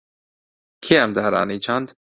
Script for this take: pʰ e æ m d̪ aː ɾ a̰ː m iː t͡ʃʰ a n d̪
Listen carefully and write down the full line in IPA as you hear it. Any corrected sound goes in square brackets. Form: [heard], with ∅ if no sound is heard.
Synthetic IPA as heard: [kʰ] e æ m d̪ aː ɾ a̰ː [n] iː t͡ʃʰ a n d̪